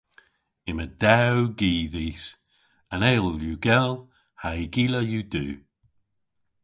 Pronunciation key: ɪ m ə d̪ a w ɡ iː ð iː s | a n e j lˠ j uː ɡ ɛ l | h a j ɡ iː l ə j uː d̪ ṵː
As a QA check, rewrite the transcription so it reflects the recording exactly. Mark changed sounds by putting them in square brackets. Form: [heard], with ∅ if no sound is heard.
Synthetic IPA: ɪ m ə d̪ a w ɡ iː ð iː s | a n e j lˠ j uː ɡ ɛ l | h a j ɡ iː l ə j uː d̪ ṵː